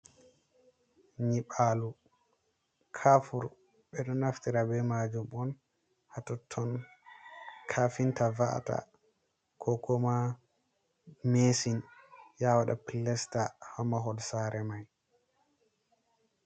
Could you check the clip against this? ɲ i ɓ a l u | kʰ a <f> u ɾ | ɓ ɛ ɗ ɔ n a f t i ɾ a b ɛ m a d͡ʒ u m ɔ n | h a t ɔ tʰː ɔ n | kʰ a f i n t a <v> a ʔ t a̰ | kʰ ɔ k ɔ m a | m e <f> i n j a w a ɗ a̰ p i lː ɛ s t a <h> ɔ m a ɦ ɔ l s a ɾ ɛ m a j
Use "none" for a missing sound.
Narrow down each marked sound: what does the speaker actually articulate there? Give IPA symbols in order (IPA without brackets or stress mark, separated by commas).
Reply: f, v, s, h